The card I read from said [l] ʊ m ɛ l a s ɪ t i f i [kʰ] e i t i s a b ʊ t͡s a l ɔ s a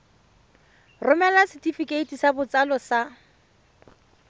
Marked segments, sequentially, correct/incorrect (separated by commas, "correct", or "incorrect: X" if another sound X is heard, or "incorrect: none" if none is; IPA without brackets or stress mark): incorrect: r, incorrect: k